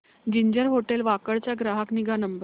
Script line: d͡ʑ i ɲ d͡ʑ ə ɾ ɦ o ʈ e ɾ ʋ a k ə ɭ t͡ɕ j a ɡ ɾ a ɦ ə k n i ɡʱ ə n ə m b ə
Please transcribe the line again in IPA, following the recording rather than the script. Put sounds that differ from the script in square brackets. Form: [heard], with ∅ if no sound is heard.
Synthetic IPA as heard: d͡ʑ i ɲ d͡ʑ ə ɾ ɦ o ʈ e [l] ʋ a k ə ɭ t͡ɕ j a ɡ ɾ a ɦ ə k n i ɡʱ [a] n ə m b ə